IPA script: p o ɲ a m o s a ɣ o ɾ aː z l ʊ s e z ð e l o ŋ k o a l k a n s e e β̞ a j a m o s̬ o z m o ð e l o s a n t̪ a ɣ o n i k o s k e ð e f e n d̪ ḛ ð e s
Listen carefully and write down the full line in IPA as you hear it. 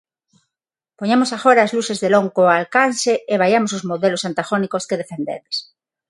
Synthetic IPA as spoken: p o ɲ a m o s a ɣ o ɾ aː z l u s e z ð e l o ŋ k o a l k a n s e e β̞ a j a m o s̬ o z m o ð e l o s a n t̪ a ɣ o n i k o s k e ð e f e n d̪ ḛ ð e s